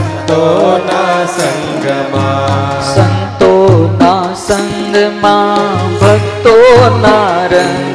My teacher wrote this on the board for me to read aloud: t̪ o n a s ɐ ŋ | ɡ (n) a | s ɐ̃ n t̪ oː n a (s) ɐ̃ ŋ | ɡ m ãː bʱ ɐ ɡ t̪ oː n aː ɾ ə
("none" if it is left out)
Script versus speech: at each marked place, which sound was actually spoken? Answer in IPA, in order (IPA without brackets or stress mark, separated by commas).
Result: m, s